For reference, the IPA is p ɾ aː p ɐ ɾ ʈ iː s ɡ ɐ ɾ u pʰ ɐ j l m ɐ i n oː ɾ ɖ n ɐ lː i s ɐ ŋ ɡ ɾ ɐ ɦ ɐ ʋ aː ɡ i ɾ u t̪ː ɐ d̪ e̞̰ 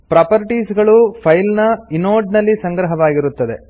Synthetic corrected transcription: p ɾ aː p ɐ ɾ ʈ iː s ɡ ɐ ɭ u pʰ ɐ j l n ɐ i n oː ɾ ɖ n ɐ lː i s ɐ ŋ ɡ ɾ ɐ ɦ ɐ ʋ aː ɡ i ɾ u t̪ː ɐ d̪ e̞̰